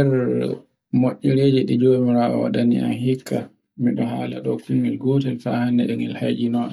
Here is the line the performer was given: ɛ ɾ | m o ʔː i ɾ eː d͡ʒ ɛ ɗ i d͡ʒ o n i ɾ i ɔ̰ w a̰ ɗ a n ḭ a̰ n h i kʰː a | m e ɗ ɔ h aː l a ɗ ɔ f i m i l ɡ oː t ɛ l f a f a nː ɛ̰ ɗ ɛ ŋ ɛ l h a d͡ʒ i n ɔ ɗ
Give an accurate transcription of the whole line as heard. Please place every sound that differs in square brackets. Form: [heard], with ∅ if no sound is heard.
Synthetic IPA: ɛ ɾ | m o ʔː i ɾ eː d͡ʒ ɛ ɗ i d͡ʒ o [m] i ɾ [a] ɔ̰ w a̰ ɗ a n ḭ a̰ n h i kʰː a | m [i] ɗ ɔ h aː l a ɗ ɔ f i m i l ɡ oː t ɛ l f a [h] a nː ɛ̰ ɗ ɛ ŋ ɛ l h a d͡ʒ i n ɔ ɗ